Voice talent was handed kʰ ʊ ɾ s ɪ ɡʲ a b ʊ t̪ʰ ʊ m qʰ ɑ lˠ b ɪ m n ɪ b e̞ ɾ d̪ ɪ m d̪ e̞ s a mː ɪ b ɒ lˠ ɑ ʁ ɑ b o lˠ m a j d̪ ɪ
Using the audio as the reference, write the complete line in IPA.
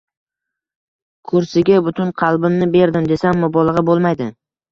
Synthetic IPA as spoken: kʰ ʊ ɾ s ɪ ɡʲ a b ʊ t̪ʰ ʊ n qʰ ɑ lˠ b ɪ m n ɪ b e̞ ɾ d̪ ɪ m d̪ e̞ s a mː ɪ b ɒ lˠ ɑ ʁ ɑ b o lˠ m a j d̪ ɪ